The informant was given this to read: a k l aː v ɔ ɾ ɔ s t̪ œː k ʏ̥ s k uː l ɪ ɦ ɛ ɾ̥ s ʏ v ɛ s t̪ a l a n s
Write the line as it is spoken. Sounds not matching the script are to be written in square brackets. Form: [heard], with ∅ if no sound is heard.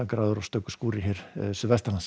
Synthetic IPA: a k [ɾ] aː [ð] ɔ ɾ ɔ s t̪ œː k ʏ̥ s k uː [ɾ] ɪ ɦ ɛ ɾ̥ s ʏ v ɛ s t̪ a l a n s